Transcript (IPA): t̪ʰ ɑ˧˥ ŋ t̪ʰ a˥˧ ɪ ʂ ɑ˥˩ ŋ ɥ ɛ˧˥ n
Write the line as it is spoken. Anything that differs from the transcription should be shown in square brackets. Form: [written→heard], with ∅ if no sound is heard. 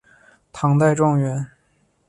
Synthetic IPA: t̪ʰ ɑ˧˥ ŋ [t̪ʰ→t̪] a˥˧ ɪ [ʂ→ʈ͡ʂ] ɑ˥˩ ŋ ɥ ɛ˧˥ n